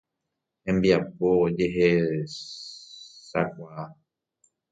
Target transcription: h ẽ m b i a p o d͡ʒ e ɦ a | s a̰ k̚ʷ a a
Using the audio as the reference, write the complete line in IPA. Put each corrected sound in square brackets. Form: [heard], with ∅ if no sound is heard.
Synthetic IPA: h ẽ m b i a p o d͡ʒ e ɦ [e] | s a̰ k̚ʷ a a